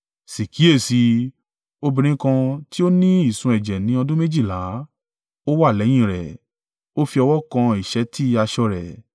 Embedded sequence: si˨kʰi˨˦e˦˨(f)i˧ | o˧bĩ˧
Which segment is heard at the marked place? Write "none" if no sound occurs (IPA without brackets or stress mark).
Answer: s